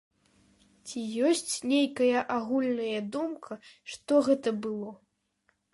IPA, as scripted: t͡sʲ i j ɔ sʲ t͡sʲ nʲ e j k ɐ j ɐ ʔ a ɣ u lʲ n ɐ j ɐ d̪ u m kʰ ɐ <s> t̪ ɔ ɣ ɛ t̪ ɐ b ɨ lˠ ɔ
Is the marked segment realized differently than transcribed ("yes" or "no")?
yes